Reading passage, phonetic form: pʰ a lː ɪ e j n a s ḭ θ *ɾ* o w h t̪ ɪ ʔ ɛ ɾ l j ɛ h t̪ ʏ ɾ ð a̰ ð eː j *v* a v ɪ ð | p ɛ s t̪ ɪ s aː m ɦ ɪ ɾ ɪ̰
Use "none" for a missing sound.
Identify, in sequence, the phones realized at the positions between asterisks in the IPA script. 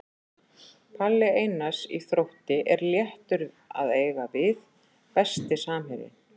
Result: ɾ, ɣ

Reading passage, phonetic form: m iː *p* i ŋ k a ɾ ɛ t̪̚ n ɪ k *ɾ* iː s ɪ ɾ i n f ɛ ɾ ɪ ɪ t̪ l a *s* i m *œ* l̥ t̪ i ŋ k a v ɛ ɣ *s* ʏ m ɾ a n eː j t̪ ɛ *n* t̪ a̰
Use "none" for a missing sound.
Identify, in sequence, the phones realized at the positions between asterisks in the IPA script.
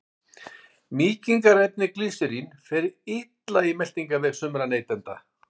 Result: c, l, none, ɛ, s, n

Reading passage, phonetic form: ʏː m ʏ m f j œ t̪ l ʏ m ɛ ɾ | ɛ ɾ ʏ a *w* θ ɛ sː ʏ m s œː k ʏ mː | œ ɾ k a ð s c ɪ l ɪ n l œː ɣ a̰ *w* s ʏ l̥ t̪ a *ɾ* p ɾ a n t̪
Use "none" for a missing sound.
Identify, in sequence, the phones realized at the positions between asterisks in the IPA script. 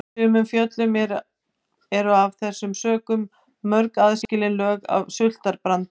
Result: v, v, ɾ

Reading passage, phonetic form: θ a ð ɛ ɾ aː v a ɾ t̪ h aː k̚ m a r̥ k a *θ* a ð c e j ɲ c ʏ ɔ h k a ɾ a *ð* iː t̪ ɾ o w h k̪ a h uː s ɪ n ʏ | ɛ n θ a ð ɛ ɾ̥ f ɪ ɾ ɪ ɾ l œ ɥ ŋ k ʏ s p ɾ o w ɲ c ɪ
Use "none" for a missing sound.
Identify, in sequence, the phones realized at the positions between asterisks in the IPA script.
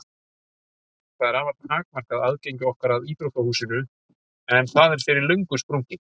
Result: ð, ð

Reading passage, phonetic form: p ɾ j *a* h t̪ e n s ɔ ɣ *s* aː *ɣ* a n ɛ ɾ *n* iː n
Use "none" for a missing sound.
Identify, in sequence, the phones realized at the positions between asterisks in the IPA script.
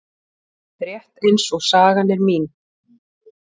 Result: ɛ, s, ɣ, m

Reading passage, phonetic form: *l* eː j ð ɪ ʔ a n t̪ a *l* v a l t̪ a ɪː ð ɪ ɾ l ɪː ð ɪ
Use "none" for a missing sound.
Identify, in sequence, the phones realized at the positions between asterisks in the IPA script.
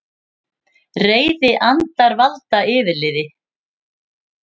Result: r, ɾ

